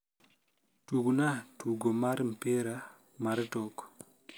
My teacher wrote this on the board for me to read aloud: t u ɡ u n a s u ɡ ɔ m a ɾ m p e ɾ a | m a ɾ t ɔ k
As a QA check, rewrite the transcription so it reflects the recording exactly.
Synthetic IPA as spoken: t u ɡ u n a t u ɡ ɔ m a ɾ m p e ɾ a | m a ɾ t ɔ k

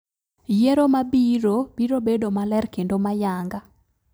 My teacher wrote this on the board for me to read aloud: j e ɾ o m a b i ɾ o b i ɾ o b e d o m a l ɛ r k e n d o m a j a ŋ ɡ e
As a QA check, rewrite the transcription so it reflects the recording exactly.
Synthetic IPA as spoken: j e ɾ o m a b i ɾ o b i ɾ o b e d o m a l ɛ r k e n d o m a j a ŋ ɡ a

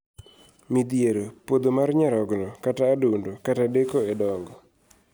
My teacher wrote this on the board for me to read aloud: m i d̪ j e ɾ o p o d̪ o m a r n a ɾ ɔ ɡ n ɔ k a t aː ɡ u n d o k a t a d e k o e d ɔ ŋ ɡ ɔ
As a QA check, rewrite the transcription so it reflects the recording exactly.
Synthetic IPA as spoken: m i d̪ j e ɾ o p o d̪ o m a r ɲ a ɾ ɔ ɡ n ɔ k a t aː d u n d o k a t a d e k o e d ɔ ŋ ɡ ɔ

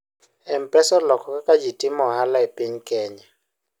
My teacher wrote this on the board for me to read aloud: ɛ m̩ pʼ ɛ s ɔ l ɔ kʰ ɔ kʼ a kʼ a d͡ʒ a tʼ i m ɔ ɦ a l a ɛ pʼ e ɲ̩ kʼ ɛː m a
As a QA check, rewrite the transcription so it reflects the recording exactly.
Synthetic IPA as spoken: ɛ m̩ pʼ ɛ s ɔ l ɔ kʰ ɔ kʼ a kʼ a d͡ʒ i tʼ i m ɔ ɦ a l a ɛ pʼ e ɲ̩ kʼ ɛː ɲ a

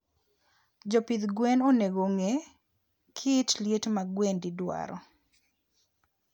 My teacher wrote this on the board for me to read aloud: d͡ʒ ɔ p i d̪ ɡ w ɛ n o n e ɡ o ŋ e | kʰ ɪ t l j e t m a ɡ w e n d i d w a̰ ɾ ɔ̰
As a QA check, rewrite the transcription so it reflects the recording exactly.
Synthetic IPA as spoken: d͡ʒ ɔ p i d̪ ɡ w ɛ n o n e ɡ o ŋ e | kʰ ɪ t l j e t m a ɡ w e n d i d w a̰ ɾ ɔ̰

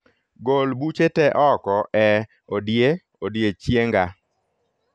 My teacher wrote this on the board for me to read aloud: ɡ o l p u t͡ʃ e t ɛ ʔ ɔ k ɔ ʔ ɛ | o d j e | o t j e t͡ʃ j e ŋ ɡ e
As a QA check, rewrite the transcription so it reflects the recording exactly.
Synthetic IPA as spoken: ɡ o l b u t͡ʃ e t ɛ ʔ ɔ k ɔ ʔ ɛ | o d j e | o d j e t͡ʃ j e ŋ ɡ a

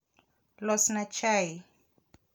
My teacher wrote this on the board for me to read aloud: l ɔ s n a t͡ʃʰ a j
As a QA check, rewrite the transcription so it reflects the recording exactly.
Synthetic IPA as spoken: l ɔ s n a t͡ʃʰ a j

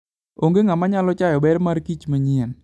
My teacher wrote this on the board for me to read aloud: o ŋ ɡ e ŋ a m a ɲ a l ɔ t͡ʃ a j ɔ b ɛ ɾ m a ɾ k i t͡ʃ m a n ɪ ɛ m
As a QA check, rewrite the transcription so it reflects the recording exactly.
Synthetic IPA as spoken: o ŋ ɡ e ŋ a m a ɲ a l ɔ t͡ʃ a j ɔ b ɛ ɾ m a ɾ k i t͡ʃ m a ɲ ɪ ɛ n

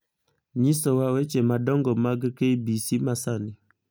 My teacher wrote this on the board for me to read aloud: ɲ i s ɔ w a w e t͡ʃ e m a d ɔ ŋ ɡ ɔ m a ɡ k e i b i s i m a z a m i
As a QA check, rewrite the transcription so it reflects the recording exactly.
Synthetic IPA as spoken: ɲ i s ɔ w a w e t͡ʃ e m a d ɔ ŋ ɡ ɔ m a ɡ k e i b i s i m a s a n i

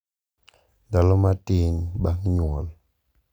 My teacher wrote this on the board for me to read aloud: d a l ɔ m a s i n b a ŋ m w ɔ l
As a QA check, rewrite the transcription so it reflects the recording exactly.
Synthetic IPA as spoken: d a l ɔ m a t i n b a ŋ ɲ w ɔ l

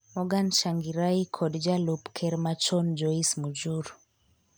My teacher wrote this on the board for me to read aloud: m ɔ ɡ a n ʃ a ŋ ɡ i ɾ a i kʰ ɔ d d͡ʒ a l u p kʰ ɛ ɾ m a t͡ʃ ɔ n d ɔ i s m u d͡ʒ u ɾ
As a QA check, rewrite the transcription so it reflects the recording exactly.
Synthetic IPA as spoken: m ɔ ɡ a n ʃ a ŋ ɡ i ɾ a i kʰ ɔ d d͡ʒ a l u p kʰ ɛ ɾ m a t͡ʃ ɔ n d͡ʒ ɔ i s m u d͡ʒ u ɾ

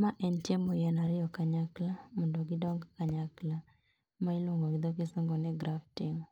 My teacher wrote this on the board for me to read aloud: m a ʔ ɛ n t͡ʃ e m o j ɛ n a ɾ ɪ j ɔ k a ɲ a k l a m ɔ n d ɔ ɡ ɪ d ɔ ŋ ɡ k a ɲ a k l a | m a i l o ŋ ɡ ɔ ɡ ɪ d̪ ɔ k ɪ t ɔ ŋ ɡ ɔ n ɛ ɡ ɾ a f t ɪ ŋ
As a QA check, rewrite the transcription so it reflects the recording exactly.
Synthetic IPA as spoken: m a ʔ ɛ n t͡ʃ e m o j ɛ n a ɾ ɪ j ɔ k a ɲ a k l a m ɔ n d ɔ ɡ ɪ d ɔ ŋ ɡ k a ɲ a k l a | m a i l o ŋ ɡ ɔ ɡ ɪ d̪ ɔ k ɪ s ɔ ŋ ɡ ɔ n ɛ ɡ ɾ a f t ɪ ŋ

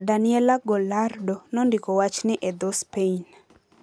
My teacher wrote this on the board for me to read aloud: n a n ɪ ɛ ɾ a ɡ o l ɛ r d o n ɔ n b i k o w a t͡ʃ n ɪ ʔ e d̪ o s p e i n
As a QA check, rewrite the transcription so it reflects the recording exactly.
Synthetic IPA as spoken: d a n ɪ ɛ l a ɡ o l a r d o n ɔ n d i k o w a t͡ʃ n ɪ ʔ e d̪ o s p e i n

